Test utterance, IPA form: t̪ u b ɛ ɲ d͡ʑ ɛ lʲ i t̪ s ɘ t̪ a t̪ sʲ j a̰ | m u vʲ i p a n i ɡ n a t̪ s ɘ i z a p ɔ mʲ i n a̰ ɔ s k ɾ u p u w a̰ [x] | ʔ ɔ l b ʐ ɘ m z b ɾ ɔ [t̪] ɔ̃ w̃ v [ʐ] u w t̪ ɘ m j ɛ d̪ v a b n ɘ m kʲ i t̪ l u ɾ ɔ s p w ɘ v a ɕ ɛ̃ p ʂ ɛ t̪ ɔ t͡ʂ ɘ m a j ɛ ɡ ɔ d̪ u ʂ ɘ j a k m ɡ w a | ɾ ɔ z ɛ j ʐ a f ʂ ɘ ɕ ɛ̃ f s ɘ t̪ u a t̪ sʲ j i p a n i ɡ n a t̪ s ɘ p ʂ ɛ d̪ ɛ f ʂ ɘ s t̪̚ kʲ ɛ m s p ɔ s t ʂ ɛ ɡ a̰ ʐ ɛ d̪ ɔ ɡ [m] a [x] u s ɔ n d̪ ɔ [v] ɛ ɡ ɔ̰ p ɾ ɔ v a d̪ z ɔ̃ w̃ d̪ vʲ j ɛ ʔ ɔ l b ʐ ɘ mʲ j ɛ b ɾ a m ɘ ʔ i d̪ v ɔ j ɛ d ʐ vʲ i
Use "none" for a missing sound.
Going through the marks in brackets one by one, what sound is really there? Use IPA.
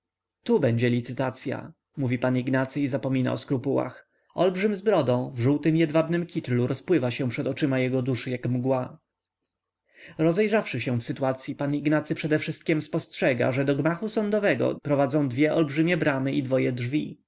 x, d̪, ʐ, m, x, v

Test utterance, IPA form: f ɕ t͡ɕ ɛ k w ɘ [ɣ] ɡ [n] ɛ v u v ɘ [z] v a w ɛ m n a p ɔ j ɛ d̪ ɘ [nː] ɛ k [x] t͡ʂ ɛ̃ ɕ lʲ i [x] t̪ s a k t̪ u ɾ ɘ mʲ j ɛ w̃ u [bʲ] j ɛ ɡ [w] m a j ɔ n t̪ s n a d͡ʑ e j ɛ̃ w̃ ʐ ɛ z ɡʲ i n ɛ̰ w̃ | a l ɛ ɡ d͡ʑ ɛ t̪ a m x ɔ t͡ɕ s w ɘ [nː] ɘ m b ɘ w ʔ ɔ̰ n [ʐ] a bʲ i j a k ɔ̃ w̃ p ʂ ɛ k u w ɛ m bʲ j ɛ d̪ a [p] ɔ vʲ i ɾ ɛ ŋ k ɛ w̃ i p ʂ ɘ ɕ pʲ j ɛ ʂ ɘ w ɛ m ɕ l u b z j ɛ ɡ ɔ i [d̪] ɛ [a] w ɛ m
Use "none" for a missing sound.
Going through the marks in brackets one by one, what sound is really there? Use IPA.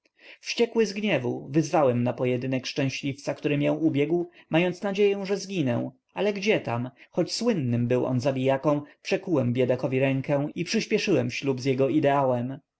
z, ɲ, z, n, ʂ, f, bʲ, w, nː, z, k, d̪, a

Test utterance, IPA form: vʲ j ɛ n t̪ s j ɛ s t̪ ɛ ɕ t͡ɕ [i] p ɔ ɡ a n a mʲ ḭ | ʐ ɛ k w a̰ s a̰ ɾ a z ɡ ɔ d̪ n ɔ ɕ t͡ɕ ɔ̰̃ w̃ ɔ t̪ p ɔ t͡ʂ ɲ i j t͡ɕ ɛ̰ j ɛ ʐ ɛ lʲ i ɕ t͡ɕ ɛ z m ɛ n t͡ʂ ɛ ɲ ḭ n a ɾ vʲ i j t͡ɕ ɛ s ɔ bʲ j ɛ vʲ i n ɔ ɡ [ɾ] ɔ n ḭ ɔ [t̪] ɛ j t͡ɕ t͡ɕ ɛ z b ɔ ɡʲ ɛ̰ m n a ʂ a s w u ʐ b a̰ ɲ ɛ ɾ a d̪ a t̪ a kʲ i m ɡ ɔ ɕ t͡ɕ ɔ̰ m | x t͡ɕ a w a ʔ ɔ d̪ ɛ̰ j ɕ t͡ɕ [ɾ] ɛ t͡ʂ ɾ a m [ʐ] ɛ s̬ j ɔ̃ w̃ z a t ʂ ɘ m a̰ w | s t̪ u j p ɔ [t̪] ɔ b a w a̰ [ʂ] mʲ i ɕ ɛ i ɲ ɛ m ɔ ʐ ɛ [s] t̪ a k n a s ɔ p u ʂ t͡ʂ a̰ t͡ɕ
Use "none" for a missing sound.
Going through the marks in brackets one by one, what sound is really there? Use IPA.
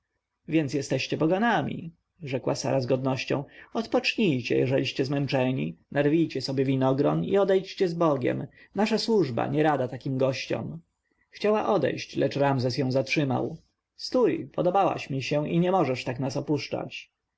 ɛ, ɾ, d̪, l, z, d̪, ɕ, ʂ

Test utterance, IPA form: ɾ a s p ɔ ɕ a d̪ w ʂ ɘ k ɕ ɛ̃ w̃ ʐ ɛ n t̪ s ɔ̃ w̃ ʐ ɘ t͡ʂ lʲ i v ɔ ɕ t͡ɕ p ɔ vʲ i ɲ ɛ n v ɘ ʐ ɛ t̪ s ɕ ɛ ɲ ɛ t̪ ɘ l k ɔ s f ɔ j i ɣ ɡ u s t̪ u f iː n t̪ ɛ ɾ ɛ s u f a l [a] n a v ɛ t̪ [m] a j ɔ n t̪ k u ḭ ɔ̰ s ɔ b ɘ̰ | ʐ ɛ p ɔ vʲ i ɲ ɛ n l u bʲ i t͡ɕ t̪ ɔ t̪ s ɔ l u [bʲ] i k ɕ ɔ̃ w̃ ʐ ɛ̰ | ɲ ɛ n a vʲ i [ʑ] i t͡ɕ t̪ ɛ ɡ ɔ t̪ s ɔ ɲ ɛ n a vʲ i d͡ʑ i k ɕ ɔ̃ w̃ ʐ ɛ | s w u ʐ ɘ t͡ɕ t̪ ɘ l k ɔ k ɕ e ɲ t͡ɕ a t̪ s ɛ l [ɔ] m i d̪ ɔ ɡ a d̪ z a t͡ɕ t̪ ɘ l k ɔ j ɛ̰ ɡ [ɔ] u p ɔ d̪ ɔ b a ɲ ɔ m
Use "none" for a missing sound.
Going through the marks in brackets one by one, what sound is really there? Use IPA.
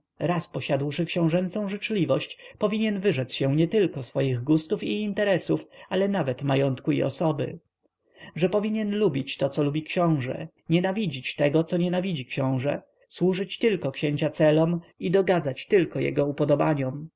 ɛ, m, bʲ, d͡ʑ, ɔ, ɔ

